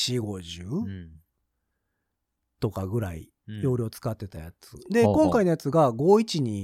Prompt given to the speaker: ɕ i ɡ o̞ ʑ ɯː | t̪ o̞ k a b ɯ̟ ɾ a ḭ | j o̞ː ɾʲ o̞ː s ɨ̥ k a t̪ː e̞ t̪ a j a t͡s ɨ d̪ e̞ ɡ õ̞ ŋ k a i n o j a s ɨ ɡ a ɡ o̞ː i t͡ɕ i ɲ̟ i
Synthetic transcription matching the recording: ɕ i ɡ o̞ ʑ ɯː | t̪ o̞ k a ɡ ɯ̟ ɾ a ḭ | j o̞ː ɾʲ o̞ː t͡s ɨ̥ k a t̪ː e̞ t̪ a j a t͡s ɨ d̪ e̞ k õ̞ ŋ k a i n o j a t͡s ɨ ɡ a ɡ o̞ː i t͡ɕ i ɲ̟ i